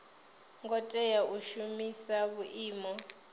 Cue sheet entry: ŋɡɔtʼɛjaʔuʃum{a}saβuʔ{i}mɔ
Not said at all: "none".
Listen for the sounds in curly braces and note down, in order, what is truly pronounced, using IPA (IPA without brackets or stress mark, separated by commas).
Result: i, iː